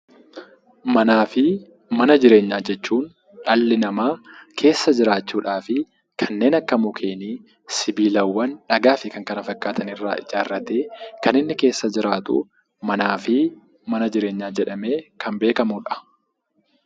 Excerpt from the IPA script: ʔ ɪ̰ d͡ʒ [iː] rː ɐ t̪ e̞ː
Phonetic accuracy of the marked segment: incorrect: aː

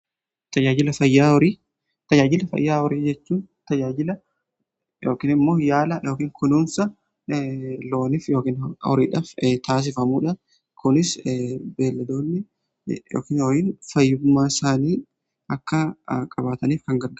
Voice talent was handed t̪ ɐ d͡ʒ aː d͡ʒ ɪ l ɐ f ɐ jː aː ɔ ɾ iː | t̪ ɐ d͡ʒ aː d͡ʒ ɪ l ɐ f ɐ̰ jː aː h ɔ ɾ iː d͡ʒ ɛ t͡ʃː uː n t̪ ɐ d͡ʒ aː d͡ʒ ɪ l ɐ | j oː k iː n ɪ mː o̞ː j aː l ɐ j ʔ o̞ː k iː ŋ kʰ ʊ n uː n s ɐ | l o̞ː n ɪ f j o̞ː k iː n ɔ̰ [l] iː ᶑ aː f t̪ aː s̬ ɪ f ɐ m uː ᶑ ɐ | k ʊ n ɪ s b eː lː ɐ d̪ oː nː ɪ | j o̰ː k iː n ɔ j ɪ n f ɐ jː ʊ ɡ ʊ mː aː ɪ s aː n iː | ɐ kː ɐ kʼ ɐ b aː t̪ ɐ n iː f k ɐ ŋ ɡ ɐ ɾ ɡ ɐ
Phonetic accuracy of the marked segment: incorrect: ɾ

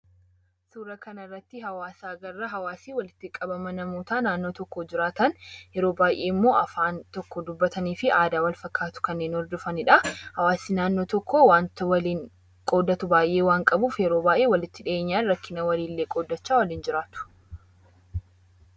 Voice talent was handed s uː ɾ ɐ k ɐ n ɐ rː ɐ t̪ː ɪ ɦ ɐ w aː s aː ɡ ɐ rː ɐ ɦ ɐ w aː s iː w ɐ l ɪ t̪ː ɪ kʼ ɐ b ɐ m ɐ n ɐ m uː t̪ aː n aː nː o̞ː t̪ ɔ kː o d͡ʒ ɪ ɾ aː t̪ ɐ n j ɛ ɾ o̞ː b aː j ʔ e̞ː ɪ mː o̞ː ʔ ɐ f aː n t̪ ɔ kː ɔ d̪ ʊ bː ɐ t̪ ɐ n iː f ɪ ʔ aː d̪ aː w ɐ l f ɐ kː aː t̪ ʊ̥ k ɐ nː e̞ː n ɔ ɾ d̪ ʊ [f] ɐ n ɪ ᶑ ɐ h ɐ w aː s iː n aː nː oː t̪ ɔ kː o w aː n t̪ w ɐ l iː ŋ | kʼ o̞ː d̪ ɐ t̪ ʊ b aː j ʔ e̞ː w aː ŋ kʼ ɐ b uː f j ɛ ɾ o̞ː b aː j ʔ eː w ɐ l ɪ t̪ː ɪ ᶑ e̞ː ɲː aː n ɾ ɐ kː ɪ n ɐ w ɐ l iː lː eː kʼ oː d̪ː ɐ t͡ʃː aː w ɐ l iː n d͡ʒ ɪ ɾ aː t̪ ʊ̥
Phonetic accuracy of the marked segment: correct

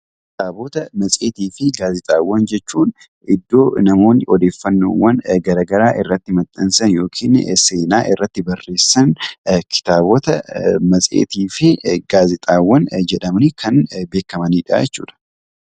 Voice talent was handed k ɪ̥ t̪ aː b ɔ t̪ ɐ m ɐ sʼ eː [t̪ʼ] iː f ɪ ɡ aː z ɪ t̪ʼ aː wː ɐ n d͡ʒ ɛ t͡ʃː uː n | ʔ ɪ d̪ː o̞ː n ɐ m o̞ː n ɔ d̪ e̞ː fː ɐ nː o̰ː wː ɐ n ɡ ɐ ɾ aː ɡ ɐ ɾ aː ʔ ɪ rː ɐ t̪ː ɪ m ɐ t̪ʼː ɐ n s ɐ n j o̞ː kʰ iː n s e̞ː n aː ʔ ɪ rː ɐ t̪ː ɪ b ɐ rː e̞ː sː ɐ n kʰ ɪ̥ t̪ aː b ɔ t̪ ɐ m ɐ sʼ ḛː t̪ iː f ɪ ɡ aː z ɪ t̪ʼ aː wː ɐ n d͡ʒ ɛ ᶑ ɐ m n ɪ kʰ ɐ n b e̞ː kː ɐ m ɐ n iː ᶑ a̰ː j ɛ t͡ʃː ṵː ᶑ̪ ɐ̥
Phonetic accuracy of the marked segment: incorrect: t̪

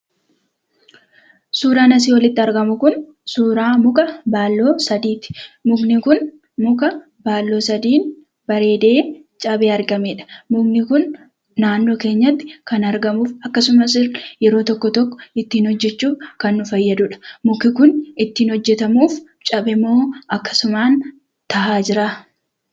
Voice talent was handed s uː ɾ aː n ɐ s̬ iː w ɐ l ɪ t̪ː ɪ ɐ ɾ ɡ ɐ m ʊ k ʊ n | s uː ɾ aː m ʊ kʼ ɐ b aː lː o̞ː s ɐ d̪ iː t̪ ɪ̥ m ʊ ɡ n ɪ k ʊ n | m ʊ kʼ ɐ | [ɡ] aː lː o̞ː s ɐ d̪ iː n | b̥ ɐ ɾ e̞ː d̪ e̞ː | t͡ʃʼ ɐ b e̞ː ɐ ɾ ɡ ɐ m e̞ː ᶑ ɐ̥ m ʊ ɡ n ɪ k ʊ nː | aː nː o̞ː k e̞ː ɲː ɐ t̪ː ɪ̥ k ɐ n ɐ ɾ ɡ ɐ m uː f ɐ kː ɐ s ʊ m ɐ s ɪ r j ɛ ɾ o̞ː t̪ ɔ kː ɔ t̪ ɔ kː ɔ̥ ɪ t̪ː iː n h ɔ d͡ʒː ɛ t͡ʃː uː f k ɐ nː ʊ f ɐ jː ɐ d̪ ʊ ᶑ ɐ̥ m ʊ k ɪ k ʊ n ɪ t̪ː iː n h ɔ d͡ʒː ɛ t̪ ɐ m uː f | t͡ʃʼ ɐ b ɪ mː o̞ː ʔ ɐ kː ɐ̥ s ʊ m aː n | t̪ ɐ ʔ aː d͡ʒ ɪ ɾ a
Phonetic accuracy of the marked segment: incorrect: b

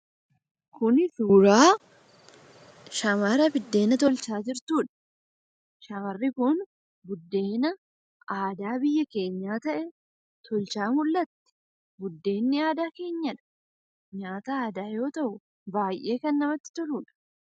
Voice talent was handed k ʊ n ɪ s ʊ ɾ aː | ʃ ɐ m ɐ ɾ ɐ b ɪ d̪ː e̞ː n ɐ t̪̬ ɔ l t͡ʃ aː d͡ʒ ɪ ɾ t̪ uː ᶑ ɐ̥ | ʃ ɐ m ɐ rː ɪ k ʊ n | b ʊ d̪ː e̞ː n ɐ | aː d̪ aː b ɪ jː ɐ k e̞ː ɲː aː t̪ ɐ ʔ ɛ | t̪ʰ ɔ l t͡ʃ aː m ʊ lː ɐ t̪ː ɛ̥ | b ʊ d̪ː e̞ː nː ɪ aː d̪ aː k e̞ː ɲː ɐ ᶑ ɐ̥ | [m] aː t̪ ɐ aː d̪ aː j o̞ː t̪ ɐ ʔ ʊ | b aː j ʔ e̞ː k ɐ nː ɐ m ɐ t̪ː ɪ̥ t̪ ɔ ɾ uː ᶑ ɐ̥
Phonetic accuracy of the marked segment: incorrect: ɲ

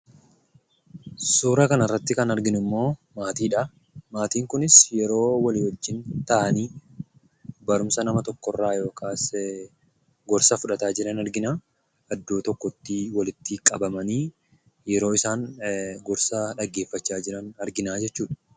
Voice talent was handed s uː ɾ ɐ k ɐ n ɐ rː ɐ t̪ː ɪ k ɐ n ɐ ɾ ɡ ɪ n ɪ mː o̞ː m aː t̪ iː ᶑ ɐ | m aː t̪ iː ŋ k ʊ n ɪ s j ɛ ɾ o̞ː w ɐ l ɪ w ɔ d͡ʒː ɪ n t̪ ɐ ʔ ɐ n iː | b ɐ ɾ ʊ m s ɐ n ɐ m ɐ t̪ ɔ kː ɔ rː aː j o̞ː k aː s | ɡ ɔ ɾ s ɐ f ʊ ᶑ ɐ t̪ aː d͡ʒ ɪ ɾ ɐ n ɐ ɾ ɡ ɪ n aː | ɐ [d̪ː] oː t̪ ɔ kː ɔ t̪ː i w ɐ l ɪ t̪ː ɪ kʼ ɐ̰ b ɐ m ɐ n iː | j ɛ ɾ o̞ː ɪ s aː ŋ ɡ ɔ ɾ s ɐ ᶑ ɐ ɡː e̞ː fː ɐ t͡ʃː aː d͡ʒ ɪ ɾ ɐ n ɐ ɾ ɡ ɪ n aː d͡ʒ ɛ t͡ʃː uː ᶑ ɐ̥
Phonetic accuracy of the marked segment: correct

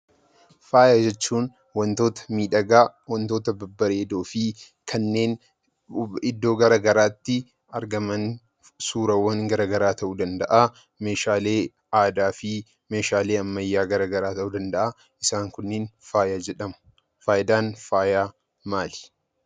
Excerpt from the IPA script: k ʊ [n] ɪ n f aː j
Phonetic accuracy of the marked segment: incorrect: nː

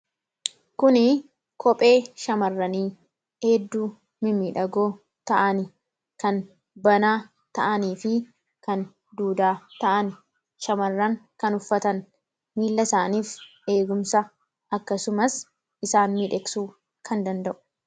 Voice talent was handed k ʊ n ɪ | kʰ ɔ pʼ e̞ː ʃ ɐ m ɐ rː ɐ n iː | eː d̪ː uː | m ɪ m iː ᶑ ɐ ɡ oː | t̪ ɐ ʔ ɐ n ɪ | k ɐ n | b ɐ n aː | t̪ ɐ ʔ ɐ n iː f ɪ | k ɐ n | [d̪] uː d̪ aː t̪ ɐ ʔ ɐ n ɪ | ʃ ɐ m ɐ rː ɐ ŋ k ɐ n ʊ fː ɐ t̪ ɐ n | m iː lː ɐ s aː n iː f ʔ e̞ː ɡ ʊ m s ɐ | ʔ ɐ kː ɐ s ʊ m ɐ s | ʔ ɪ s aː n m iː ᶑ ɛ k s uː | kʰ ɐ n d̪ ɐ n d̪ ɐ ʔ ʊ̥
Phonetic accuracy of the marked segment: correct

